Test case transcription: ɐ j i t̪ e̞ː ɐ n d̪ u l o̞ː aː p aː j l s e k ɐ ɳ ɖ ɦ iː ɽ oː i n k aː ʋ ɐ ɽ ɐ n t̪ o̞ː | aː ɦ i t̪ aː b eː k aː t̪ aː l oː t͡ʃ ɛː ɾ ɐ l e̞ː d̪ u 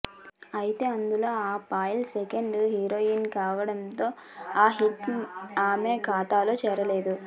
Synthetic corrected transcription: ɐ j i t̪ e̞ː ɐ n d̪ u l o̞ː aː p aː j l s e k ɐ ɳ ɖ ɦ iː ɾ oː i n k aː ʋ ɐ ɽ ɐ n t̪ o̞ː | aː ɦ i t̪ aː m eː k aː t̪ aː l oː t͡ʃ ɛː ɾ ɐ l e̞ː d̪ u